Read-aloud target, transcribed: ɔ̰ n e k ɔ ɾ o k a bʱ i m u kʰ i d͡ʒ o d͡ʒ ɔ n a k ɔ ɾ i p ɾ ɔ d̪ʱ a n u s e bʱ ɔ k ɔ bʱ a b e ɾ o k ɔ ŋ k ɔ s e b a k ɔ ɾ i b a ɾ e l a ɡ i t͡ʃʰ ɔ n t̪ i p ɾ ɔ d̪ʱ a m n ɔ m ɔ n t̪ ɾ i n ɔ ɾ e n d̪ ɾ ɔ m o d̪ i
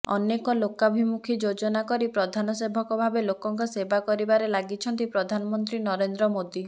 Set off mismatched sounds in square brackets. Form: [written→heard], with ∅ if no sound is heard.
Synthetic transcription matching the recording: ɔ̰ n e k ɔ [ɾ→l] o k a bʱ i m u kʰ i d͡ʒ o d͡ʒ ɔ n a k ɔ ɾ i p ɾ ɔ d̪ʱ a n [u→ɔ] s e bʱ ɔ k ɔ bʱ a b e [ɾ→l] o k ɔ ŋ k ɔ s e b a k ɔ ɾ i b a ɾ e l a ɡ i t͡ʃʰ ɔ n t̪ i p ɾ ɔ d̪ʱ a [m→∅] n ɔ m ɔ n t̪ ɾ i n ɔ ɾ e n d̪ ɾ ɔ m o d̪ i